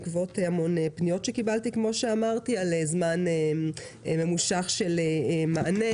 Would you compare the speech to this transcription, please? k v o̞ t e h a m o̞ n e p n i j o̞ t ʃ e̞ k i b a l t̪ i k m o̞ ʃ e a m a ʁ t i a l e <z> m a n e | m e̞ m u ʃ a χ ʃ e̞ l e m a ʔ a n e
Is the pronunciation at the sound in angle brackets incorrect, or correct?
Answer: correct